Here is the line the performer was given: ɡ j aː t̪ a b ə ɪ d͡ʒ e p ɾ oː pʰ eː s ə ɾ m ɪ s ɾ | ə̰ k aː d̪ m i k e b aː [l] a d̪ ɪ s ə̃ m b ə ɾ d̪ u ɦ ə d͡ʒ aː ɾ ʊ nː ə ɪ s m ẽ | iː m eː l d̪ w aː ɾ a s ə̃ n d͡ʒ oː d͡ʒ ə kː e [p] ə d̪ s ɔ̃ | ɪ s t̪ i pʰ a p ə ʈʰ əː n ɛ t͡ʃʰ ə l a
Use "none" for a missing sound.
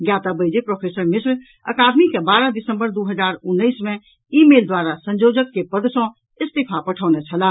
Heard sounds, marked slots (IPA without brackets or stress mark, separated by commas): ɾ, p